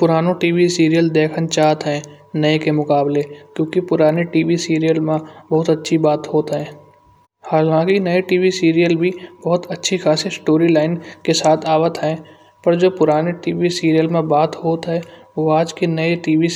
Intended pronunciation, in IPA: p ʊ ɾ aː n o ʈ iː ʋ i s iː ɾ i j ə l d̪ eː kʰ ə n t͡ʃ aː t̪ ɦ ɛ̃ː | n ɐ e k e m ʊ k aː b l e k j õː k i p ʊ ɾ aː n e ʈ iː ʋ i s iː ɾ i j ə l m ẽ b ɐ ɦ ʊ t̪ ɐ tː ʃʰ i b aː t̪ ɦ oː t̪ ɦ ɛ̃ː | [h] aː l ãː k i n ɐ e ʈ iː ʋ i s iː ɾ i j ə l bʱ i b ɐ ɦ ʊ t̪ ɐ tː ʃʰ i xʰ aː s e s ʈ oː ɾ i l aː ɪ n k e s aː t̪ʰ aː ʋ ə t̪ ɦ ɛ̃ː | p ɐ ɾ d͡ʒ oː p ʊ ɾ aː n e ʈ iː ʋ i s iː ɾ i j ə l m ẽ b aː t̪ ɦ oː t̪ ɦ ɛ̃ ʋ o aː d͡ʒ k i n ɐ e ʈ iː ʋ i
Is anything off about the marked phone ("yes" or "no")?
no